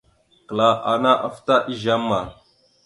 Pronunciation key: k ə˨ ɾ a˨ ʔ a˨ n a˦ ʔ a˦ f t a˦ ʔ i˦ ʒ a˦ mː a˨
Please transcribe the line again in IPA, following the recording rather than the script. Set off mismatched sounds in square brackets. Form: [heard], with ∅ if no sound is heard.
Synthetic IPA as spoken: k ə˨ [l] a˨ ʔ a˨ n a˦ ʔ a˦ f t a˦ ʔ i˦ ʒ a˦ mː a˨